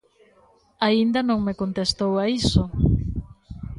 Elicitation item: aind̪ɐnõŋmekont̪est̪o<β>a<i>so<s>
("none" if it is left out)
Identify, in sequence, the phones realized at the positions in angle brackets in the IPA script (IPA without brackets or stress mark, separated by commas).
w, i, none